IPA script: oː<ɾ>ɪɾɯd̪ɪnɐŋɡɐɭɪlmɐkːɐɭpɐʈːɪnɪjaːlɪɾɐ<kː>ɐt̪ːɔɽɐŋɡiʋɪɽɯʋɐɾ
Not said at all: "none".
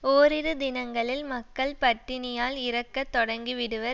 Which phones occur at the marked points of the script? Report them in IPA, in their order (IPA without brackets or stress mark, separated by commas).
ɾ, kː